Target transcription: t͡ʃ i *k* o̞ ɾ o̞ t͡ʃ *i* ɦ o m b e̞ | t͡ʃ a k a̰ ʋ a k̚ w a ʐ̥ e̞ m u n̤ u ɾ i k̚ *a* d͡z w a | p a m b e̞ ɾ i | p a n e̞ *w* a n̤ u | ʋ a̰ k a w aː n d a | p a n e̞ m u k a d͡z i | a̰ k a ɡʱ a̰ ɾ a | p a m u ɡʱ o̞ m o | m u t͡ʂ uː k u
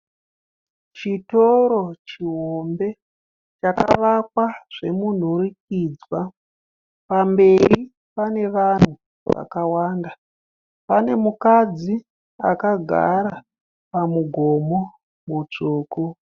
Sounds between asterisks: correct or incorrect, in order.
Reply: incorrect: t, correct, incorrect: i, incorrect: ʋ

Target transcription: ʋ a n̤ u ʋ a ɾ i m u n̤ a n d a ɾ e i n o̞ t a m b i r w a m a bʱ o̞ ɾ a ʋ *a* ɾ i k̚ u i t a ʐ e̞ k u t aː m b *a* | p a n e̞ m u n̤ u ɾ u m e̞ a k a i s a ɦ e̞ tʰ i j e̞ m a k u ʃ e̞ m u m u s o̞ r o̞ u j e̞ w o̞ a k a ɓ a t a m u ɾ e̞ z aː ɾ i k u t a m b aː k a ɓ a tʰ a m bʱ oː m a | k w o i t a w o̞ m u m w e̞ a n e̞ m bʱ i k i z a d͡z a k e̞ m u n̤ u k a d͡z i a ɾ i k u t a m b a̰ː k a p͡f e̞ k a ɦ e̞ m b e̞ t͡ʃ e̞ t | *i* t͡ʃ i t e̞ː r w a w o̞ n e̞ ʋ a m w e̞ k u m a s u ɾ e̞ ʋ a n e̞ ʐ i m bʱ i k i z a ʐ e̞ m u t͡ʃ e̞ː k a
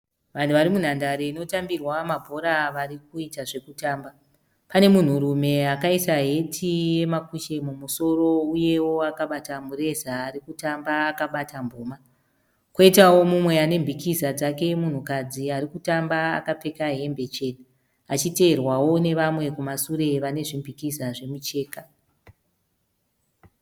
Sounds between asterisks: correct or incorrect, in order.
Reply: correct, correct, incorrect: a

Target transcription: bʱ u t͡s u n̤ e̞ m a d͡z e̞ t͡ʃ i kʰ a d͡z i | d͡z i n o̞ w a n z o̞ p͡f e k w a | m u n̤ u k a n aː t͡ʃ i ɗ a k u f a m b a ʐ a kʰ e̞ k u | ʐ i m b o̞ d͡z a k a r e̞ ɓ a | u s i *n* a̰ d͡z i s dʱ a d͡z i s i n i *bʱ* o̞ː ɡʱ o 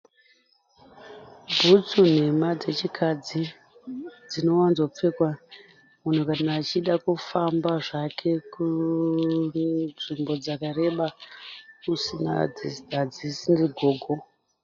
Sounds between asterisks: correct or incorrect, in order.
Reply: correct, incorrect: ɡʱ

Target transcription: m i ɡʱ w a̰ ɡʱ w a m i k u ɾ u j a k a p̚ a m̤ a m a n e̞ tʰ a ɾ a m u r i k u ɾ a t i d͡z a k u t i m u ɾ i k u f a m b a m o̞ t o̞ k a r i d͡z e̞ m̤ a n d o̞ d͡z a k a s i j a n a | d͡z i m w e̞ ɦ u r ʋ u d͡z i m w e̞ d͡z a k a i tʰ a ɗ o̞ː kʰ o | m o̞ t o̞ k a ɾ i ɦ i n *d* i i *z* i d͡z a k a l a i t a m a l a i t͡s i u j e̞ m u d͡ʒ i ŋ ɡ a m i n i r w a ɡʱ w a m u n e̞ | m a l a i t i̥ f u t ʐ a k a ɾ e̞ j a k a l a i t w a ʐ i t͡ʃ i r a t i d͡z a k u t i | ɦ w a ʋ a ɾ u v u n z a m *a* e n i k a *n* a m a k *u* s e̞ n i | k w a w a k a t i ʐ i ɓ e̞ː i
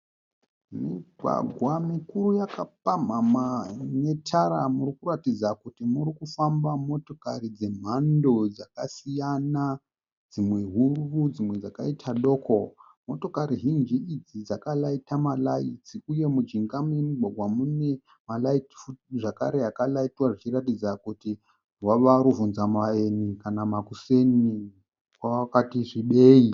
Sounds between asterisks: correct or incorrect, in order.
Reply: incorrect: d͡ʒ, incorrect: d͡z, correct, correct, correct

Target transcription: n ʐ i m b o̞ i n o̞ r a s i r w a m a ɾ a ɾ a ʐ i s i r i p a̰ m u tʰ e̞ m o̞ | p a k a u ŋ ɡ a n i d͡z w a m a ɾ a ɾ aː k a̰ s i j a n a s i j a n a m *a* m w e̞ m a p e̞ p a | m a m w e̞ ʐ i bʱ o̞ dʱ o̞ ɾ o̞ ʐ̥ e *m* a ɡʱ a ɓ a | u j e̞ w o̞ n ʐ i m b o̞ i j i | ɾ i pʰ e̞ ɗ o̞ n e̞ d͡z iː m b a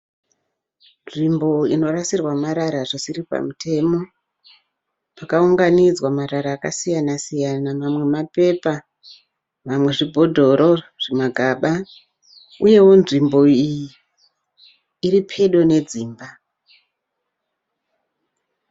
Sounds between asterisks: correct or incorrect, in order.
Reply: correct, correct

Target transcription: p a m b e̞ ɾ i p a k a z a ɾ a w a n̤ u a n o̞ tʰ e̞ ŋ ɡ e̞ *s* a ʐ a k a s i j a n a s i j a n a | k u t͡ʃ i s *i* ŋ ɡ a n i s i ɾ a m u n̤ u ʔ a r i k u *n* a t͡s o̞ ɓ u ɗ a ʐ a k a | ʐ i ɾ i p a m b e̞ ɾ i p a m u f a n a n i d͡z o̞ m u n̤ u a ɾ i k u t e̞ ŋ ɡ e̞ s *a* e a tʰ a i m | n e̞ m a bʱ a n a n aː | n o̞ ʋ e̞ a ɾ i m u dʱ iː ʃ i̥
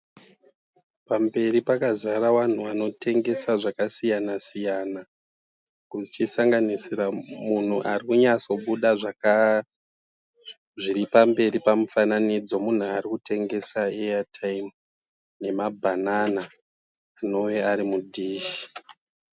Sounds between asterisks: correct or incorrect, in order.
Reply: correct, incorrect: a, incorrect: ɲ, correct

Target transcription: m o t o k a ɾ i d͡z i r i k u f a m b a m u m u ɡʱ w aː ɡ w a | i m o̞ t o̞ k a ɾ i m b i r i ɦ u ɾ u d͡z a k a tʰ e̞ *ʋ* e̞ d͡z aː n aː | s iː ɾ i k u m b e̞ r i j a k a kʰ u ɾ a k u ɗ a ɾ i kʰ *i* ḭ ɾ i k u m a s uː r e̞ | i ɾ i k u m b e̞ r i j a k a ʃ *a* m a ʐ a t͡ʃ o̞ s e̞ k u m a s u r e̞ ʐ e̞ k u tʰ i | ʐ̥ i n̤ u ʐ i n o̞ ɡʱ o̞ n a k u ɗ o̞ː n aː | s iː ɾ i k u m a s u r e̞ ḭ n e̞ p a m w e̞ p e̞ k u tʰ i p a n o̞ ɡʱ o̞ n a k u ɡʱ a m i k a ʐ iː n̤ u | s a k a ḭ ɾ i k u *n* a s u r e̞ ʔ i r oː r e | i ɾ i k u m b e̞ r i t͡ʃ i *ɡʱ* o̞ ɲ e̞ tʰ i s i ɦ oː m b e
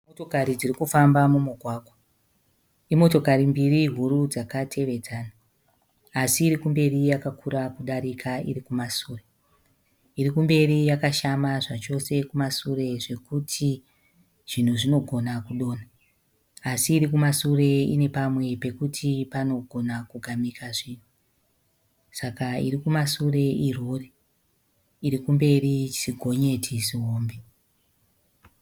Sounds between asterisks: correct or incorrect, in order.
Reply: correct, incorrect: a, correct, incorrect: m, correct

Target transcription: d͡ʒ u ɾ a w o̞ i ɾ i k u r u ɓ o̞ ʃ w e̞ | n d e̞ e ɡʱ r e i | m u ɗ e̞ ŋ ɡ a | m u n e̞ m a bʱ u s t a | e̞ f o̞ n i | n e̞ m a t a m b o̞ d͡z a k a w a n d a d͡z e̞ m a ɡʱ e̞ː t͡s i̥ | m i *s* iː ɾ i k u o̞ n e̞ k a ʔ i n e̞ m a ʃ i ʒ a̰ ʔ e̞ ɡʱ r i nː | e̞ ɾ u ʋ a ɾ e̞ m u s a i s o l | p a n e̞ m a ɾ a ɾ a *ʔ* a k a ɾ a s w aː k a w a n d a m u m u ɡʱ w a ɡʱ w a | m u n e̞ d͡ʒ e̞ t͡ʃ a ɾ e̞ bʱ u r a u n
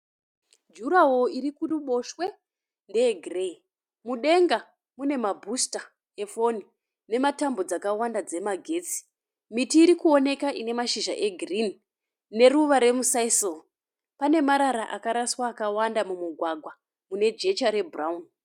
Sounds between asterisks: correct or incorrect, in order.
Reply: incorrect: t, correct

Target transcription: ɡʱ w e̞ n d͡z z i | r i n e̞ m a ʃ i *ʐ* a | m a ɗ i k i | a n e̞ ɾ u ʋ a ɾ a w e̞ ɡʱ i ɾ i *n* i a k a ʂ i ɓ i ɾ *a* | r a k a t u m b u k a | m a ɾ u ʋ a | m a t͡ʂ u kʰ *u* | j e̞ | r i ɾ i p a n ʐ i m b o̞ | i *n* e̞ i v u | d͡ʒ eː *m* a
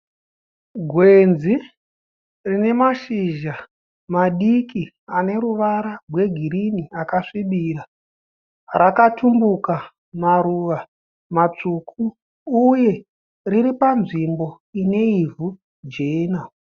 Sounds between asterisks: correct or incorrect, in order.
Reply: incorrect: ʒ, correct, correct, incorrect: uː, correct, incorrect: n

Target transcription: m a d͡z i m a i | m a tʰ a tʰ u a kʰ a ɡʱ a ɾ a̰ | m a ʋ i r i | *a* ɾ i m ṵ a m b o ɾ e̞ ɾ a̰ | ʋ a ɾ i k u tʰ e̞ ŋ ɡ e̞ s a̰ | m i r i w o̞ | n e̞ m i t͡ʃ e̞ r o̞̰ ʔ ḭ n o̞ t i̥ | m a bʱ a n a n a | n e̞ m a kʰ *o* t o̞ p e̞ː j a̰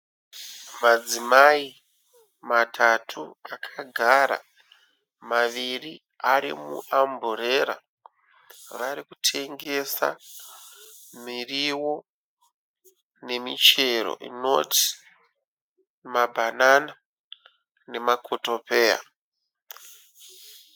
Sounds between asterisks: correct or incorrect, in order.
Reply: correct, correct

